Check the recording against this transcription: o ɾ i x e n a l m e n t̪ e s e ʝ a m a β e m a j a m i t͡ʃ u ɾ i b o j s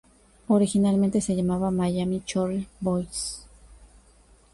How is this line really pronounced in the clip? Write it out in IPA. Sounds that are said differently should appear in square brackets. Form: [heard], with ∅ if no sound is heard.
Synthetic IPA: o ɾ i x [i] n a l m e n t̪ e s e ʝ a m a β [a] m a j a m i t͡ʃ [o] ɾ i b o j s